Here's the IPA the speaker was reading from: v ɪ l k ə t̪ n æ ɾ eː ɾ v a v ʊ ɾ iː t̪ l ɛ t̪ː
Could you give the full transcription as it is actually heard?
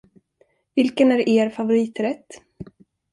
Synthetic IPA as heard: v ɪ l k ə n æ ɾ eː ɾ f a v ʊ ɾ iː t̪ ɾ ɛ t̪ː